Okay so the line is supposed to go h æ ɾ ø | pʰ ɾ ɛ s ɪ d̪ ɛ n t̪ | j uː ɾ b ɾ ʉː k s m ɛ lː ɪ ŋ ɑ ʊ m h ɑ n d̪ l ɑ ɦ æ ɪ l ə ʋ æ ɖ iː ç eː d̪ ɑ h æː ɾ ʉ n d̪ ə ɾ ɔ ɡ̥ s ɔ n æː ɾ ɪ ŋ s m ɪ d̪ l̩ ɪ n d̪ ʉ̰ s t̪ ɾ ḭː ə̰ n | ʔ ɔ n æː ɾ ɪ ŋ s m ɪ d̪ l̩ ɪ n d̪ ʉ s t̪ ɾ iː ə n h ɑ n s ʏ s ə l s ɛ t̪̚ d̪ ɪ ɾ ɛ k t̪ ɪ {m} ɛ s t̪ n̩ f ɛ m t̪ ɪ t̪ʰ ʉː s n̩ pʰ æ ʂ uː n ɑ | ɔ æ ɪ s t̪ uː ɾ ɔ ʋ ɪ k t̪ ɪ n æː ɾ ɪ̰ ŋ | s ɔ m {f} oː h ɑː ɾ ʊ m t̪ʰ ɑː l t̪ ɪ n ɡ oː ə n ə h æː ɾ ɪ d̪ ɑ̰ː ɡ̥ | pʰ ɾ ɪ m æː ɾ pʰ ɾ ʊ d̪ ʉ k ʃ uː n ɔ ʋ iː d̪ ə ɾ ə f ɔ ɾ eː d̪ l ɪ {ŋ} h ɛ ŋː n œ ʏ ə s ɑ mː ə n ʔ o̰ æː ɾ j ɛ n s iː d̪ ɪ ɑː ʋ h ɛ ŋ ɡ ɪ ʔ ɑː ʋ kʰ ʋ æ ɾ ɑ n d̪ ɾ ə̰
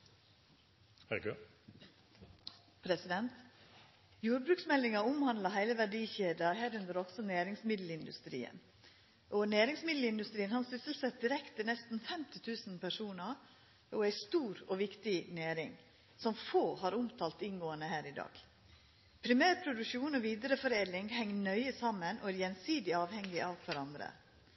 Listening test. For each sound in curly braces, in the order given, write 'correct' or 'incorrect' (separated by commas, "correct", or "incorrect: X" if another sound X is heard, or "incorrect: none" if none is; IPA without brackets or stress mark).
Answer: incorrect: n, correct, correct